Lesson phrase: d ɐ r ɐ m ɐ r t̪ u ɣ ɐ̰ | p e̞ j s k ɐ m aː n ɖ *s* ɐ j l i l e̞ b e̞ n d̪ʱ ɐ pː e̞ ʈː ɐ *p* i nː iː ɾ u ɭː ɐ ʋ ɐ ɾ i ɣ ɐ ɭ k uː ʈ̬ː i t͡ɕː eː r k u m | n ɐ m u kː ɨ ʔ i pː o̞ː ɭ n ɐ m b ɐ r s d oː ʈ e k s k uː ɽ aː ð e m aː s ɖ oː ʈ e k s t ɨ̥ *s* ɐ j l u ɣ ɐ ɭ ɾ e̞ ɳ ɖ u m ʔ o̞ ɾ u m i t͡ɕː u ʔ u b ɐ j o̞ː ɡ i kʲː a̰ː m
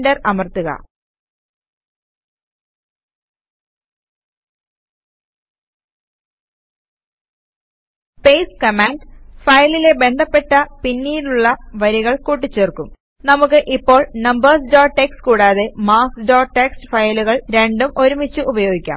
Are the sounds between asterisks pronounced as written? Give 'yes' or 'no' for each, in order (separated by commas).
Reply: no, yes, no